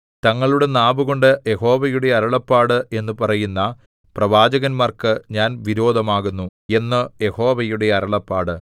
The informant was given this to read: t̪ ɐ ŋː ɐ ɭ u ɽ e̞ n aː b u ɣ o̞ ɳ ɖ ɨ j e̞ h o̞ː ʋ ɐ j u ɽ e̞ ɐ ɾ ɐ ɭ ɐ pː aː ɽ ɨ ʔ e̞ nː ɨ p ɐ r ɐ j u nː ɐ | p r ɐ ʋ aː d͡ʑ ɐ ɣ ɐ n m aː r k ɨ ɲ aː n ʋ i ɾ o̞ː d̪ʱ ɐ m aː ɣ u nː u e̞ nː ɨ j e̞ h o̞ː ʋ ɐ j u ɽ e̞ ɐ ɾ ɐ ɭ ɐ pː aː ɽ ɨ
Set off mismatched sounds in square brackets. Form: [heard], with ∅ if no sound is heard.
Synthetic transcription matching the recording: t̪ ɐ ŋː ɐ ɭ u ɽ e̞ n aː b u ɣ o̞ ɳ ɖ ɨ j e̞ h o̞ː ʋ ɐ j u ɽ e̞ ɐ ɾ ɐ ɭ ɐ pː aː ɽ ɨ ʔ e̞ nː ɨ p ɐ r ɐ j u nː ɐ | p r ɐ ʋ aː d͡ʑ ɐ ɣ ɐ n m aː r k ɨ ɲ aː n ʋ i ɾ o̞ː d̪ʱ ɐ m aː ɣ u nː u e̞ nː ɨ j e̞ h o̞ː ʋ ɐ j u ɽ e̞ ɐ ɾ ɐ ɭ ɐ pː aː ɽ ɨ